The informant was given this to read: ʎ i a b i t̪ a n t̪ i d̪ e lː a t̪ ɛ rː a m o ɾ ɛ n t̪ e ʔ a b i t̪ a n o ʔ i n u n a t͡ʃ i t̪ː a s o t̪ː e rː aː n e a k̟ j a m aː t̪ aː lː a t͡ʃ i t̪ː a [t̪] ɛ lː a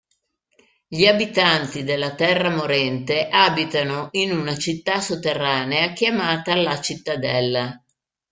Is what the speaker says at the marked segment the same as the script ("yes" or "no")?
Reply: no